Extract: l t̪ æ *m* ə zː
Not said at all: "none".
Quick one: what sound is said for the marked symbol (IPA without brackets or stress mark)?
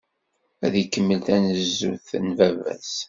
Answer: n